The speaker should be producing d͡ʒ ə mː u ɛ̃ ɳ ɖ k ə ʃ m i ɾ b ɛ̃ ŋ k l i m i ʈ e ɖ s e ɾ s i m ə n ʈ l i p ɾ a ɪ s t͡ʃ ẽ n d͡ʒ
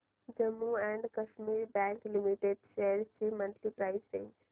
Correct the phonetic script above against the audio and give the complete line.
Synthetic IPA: d͡ʒ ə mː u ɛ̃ ɳ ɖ k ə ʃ m i ɾ b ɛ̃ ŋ k l i m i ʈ e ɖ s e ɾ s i m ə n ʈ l i p ɾ a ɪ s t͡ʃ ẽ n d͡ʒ